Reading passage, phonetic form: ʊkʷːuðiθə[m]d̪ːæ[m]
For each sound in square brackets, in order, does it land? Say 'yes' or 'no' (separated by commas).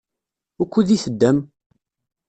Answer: no, yes